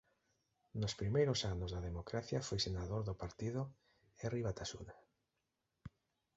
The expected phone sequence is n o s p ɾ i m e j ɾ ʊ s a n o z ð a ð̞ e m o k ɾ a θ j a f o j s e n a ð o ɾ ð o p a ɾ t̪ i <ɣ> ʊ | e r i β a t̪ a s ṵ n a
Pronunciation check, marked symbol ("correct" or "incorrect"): incorrect